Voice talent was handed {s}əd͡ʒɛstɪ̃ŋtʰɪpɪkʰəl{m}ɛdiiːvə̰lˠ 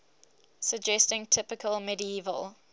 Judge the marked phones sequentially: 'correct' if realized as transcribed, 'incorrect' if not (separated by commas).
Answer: correct, correct